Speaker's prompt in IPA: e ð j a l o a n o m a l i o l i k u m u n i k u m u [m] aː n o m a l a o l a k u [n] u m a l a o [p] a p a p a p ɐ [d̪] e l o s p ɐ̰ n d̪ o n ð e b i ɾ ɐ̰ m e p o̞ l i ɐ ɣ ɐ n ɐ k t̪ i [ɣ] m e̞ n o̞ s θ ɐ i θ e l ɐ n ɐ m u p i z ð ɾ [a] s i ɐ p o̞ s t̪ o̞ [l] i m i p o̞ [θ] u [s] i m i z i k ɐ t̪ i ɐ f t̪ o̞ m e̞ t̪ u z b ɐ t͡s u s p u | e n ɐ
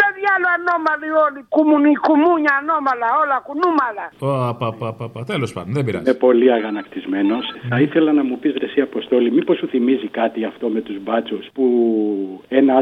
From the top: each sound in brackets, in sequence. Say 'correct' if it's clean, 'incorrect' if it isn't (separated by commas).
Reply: incorrect, correct, correct, incorrect, incorrect, incorrect, correct, incorrect, incorrect